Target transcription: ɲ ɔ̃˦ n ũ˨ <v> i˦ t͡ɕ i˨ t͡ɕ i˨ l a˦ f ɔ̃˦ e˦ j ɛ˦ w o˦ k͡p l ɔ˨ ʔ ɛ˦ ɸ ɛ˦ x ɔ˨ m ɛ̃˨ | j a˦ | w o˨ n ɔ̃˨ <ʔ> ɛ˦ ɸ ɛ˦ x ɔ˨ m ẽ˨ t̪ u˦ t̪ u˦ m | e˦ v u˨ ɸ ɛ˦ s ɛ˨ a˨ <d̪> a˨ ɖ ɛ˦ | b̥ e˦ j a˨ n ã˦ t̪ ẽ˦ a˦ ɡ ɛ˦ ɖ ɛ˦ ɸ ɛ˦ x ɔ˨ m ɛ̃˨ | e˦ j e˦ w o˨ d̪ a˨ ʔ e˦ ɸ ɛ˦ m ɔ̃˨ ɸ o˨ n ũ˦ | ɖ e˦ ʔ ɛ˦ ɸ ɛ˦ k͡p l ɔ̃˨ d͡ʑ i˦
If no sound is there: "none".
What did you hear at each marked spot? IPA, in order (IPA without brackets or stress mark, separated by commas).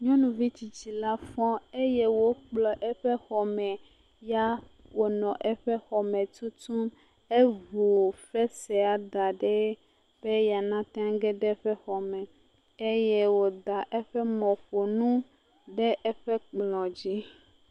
v, ʔ, d̪